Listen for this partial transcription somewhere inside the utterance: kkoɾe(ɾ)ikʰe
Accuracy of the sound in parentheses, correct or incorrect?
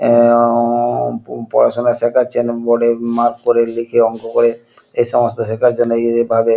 incorrect